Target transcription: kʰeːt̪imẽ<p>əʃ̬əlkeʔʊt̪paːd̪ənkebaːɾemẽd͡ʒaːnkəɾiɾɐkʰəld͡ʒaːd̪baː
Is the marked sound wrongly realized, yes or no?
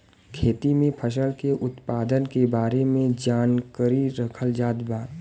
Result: yes